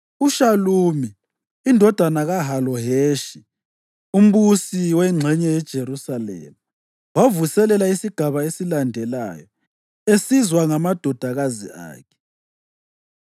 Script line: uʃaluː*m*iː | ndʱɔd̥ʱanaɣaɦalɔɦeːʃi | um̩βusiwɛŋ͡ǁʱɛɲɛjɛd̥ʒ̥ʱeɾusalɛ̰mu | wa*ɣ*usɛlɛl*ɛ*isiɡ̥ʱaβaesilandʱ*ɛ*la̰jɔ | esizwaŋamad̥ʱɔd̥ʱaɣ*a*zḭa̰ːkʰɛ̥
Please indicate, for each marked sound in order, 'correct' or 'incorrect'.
correct, incorrect: v, incorrect: a, correct, correct

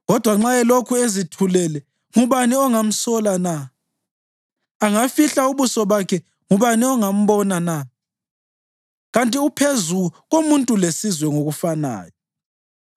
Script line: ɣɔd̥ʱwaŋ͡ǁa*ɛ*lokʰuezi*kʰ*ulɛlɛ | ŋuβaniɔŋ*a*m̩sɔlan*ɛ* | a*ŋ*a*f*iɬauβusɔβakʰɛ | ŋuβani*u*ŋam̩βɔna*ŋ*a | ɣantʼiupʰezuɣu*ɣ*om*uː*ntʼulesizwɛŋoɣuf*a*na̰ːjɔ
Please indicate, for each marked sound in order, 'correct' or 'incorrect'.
correct, incorrect: tʰ, correct, incorrect: a, correct, correct, incorrect: ɔ, incorrect: n, correct, incorrect: u, correct

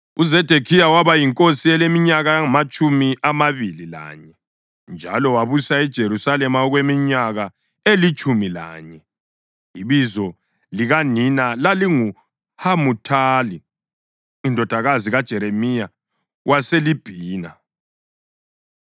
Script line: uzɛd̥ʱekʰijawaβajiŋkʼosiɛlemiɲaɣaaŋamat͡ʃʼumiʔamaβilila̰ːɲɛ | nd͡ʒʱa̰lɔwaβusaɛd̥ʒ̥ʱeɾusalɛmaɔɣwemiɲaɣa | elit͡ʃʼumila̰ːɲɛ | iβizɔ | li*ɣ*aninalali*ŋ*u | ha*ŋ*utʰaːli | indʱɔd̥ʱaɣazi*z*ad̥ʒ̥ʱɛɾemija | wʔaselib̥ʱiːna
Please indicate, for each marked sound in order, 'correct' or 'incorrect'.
correct, correct, incorrect: m, incorrect: ɣ

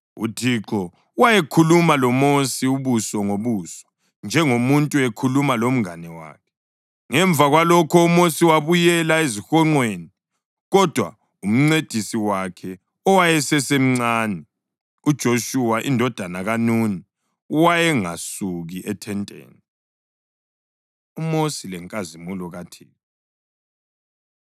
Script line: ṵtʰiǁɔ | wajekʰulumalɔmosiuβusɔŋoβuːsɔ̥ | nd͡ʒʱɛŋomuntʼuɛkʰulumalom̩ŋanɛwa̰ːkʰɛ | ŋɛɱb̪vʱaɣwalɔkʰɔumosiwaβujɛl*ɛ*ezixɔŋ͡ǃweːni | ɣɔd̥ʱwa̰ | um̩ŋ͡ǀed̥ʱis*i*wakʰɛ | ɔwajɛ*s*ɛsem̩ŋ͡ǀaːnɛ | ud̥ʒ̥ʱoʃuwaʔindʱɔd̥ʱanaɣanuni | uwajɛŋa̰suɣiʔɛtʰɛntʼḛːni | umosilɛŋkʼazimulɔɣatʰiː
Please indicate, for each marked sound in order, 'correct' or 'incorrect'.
incorrect: a, correct, correct

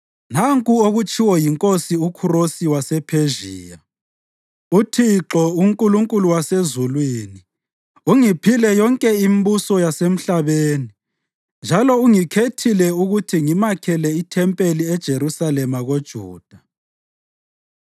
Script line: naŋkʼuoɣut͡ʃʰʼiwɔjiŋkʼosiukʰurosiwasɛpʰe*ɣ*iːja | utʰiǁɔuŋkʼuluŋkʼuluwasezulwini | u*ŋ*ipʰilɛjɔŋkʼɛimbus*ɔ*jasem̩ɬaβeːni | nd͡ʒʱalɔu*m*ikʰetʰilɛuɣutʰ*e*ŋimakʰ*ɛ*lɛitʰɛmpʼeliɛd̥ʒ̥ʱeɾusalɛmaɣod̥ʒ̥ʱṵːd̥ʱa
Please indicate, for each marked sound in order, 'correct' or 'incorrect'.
incorrect: ʒ, correct, correct, incorrect: ŋ, incorrect: i, correct

